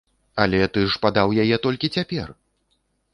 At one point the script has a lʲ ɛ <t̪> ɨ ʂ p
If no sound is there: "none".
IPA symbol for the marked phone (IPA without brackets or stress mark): t̪